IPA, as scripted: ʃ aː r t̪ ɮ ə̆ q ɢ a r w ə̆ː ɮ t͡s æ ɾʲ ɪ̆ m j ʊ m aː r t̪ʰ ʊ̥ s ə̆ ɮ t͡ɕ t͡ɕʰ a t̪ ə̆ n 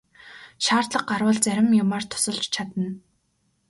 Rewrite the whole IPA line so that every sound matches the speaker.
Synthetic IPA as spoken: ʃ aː r t̪ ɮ ə̆ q ɢ a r w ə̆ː ɮ t͡s æ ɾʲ ɪ̆ m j ʊ m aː r t̪ʰ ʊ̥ s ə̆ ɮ t͡ɕ t͡ɕʰ a t̪ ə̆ n